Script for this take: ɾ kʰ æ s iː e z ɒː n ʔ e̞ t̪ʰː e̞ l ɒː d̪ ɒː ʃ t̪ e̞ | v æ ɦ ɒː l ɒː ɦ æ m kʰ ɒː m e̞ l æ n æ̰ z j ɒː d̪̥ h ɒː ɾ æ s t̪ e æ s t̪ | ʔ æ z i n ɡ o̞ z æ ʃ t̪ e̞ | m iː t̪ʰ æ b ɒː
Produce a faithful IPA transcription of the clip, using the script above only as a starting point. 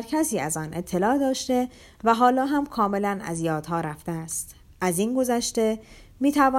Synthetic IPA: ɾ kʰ æ s iː æ z ɒː n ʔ e̞ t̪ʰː e̞ l ɒː d̪ ɒː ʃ t̪ e̞ | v æ ɦ ɒː l ɒː ɦ æ m kʰ ɒː m e̞ l æ n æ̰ z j ɒː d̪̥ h ɒː ɾ æ f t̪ e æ s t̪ | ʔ æ z i n ɡ o̞ z æ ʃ t̪ e̞ | m iː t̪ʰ æ v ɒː